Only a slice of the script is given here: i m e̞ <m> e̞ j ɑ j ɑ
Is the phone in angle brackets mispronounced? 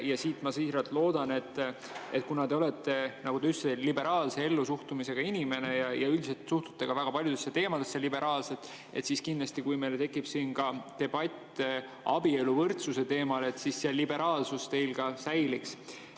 yes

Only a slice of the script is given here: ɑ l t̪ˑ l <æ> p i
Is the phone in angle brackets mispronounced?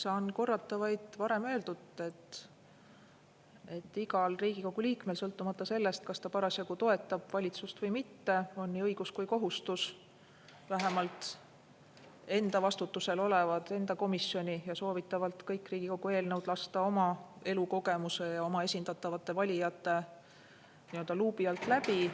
no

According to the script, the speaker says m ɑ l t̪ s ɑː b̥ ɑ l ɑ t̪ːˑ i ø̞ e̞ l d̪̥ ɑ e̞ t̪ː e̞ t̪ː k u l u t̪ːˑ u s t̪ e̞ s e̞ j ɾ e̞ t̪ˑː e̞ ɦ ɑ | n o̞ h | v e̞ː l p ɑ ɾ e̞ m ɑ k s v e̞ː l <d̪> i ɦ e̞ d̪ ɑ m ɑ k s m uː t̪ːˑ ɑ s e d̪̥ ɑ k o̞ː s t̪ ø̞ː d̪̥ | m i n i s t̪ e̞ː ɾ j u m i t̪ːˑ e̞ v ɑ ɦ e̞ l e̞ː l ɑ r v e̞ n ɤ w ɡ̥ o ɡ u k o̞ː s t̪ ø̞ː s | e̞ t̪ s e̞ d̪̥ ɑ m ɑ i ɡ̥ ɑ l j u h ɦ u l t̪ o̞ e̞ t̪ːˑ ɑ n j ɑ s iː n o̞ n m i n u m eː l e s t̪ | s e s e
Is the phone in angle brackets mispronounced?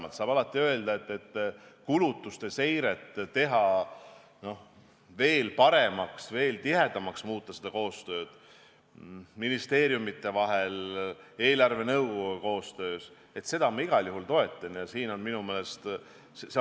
yes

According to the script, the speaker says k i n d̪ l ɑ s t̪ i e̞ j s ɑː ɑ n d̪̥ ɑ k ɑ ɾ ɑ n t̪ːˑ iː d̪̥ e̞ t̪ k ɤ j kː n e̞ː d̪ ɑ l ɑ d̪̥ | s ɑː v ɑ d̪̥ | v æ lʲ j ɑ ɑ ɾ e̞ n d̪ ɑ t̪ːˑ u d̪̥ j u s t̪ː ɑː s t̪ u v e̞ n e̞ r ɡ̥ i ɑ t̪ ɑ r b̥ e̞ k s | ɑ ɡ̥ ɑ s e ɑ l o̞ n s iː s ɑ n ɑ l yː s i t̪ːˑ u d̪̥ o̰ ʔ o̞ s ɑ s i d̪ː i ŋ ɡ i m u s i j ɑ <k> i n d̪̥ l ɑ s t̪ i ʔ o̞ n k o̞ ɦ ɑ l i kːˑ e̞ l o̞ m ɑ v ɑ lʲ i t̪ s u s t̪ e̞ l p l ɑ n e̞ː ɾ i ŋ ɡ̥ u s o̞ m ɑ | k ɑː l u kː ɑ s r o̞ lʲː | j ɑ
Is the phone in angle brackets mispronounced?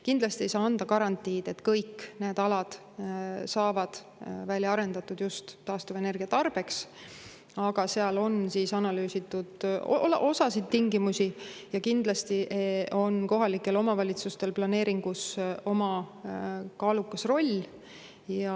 no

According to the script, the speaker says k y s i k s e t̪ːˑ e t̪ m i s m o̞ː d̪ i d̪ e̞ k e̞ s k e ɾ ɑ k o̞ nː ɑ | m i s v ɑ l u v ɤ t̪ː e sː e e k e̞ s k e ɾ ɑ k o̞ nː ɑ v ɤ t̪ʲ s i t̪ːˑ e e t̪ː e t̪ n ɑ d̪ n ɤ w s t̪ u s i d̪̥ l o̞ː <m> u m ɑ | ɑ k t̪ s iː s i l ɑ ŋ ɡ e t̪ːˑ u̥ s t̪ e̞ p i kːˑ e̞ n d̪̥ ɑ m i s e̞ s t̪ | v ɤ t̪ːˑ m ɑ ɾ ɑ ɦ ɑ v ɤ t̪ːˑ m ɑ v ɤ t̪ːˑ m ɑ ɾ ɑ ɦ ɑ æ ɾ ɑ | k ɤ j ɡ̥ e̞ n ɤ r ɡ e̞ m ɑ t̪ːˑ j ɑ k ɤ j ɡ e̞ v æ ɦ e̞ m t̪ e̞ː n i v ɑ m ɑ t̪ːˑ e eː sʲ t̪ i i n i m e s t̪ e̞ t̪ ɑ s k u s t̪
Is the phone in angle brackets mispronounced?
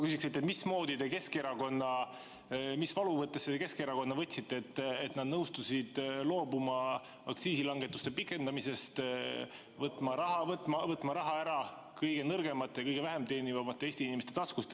yes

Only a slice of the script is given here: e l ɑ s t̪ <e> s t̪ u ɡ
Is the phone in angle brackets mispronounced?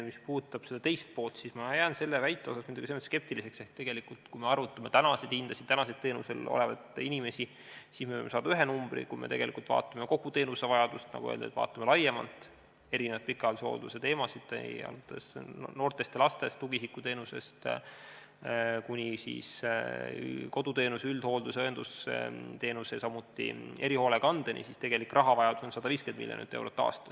no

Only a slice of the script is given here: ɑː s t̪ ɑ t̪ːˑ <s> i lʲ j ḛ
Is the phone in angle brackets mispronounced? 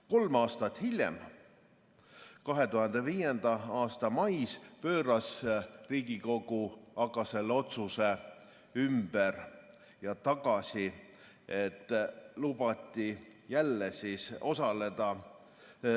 yes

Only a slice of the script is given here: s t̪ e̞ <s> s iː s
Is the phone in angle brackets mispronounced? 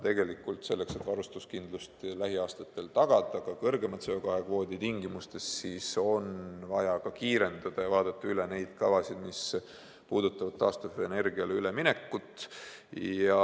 no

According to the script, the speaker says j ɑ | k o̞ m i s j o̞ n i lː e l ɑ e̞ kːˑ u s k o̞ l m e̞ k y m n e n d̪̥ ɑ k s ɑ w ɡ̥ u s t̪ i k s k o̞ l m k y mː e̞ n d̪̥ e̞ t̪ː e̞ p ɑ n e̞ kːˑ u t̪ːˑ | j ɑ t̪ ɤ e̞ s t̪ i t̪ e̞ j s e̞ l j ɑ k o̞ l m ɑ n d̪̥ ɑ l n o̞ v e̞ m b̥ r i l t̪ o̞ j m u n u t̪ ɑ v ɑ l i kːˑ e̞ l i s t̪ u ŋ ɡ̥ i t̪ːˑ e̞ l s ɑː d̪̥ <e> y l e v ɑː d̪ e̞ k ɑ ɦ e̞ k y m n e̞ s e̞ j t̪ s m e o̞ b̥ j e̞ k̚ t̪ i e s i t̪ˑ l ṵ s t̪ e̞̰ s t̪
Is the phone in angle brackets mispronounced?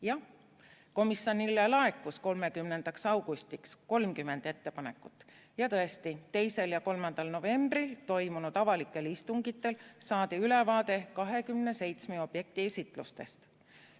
no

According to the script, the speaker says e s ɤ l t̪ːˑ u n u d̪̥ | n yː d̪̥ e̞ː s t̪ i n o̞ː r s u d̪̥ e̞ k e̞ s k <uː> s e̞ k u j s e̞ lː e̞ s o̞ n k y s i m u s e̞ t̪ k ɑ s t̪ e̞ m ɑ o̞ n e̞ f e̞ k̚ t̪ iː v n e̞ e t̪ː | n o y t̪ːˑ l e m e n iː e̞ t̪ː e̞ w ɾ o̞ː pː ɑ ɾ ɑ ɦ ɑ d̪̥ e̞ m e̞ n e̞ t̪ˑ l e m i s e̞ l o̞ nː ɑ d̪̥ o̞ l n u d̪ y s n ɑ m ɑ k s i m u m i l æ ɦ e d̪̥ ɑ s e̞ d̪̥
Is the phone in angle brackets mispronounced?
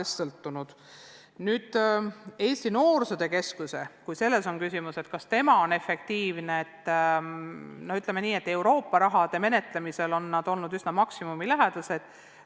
yes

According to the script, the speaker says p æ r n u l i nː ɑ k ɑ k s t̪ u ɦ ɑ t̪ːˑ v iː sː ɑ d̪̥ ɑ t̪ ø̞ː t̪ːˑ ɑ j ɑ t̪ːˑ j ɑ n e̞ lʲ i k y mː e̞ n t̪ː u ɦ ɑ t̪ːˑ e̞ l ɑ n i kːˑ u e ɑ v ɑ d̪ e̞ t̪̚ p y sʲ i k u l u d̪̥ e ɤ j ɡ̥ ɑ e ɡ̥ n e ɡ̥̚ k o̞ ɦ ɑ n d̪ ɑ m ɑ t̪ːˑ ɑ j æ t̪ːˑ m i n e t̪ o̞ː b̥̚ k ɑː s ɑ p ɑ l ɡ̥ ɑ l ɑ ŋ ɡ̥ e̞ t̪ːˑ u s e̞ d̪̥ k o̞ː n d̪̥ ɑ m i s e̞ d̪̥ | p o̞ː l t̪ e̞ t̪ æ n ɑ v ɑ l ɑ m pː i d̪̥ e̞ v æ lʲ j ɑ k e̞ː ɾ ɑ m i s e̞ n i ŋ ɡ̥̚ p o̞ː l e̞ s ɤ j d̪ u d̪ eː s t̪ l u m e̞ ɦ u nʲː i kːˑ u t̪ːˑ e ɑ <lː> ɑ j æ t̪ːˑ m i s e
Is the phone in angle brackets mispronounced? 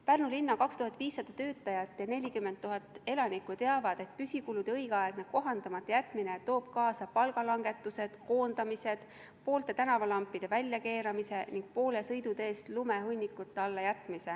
no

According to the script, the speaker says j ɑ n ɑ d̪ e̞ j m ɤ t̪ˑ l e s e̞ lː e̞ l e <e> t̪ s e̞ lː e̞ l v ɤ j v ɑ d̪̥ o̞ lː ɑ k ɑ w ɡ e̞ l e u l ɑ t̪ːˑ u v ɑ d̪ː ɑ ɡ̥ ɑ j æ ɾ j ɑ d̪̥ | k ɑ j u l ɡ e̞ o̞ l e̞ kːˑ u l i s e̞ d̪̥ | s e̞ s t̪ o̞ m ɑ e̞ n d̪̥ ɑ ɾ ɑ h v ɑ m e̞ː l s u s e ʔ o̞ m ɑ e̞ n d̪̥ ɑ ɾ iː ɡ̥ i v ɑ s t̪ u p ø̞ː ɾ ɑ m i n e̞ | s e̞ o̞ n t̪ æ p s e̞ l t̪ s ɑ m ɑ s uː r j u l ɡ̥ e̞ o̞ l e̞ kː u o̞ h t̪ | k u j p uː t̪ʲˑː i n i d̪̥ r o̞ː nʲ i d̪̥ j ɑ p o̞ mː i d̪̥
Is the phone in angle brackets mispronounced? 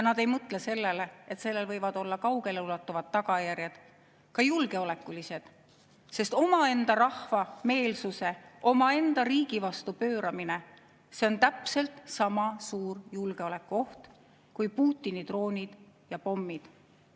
no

